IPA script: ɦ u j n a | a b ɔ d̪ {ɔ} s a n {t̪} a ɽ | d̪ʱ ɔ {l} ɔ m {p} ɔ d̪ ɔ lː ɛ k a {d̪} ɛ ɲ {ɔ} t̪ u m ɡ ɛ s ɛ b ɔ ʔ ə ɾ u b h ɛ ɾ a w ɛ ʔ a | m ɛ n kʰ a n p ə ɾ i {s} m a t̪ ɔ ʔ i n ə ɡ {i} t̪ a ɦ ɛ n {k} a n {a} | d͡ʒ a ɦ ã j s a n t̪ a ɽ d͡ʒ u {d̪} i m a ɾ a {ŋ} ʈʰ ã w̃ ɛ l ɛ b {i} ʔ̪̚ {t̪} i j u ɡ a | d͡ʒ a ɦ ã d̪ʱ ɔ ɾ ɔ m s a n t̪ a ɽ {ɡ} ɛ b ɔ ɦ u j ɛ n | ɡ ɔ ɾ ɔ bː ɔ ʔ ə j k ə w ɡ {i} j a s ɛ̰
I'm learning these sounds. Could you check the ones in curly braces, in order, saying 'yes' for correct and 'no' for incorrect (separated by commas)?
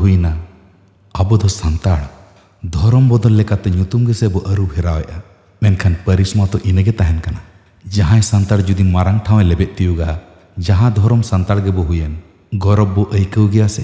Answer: yes, yes, no, no, no, no, yes, no, yes, yes, yes, yes, no, yes, yes, no